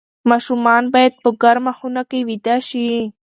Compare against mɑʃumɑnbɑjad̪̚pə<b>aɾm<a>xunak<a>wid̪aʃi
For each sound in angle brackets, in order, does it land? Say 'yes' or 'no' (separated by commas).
no, yes, no